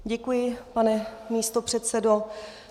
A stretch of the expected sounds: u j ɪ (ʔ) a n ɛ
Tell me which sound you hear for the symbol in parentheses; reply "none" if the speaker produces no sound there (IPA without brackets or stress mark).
p